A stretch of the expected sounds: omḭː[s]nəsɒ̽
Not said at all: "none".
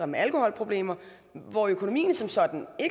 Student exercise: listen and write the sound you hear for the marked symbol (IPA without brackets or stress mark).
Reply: none